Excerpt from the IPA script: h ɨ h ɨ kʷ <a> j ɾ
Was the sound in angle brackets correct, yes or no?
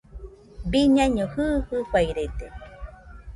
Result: yes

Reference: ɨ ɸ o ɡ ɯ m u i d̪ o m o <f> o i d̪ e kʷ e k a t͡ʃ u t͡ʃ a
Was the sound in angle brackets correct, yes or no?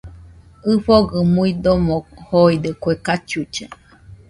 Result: no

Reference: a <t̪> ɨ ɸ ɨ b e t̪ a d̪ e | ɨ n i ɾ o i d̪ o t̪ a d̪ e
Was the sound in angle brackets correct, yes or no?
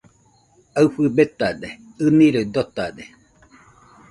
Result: no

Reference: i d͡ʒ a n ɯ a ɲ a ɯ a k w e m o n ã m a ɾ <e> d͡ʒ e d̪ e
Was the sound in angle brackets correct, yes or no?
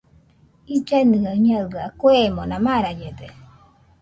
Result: no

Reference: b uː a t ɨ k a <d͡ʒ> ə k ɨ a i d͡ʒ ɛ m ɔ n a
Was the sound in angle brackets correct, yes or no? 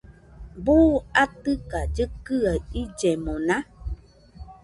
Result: yes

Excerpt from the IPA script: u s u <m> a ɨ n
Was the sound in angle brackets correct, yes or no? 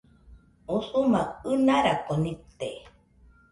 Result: yes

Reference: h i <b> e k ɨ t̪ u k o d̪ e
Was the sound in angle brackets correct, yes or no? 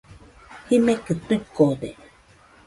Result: no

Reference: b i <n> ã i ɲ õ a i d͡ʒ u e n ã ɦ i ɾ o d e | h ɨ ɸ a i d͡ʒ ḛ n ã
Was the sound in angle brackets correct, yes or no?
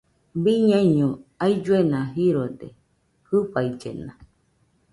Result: no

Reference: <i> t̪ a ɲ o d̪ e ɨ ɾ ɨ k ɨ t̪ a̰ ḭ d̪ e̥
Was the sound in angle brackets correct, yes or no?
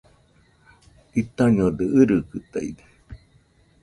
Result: yes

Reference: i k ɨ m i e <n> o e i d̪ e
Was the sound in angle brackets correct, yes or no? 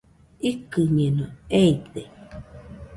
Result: yes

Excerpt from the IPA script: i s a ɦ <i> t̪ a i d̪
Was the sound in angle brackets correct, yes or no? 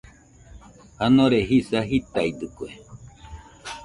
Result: yes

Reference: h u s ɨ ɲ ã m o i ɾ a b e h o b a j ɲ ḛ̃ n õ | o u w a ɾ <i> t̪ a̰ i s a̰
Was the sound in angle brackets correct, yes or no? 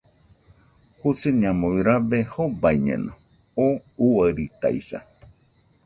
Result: yes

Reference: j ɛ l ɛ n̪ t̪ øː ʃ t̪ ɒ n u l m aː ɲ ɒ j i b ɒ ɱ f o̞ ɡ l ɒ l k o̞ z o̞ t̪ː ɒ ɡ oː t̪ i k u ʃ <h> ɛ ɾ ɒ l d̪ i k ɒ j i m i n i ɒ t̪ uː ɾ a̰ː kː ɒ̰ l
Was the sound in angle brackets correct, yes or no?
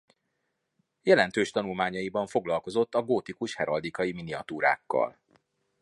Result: yes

